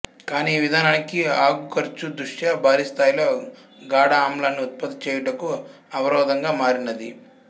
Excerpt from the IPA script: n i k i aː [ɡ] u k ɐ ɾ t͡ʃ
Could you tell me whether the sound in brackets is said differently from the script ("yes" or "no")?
no